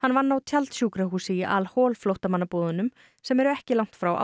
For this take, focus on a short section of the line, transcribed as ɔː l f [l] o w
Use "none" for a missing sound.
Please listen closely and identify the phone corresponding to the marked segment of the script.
l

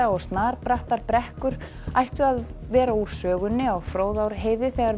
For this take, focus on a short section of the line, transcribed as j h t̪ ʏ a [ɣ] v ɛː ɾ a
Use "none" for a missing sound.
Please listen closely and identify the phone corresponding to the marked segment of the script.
ð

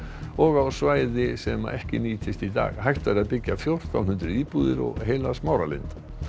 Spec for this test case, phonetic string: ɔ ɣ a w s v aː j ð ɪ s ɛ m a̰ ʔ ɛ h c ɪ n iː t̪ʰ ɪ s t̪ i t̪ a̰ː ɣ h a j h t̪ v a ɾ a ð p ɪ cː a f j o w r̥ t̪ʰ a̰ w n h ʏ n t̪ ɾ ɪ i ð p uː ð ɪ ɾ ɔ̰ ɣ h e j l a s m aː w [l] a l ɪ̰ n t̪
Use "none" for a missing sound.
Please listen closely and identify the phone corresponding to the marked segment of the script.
ɾ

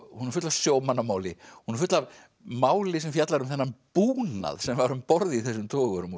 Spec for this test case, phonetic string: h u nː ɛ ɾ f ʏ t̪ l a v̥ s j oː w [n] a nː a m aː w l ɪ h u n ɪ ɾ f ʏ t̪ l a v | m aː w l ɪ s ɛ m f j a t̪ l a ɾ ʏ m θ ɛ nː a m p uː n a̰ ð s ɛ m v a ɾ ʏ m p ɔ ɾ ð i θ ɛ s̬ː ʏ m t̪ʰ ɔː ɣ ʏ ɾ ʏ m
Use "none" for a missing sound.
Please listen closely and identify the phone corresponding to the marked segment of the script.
m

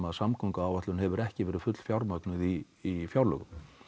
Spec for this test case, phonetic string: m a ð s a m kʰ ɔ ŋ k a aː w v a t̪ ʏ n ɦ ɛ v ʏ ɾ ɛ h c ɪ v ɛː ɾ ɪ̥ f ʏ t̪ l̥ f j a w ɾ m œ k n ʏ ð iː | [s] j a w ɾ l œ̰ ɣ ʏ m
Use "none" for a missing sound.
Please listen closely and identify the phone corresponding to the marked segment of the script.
f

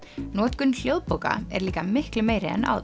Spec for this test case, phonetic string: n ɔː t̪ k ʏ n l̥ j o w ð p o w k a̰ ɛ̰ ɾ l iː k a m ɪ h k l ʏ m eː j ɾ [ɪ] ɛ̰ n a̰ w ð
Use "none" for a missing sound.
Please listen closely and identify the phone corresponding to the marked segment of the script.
ɪ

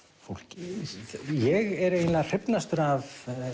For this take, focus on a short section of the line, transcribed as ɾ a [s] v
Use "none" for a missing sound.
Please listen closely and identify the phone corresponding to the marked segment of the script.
none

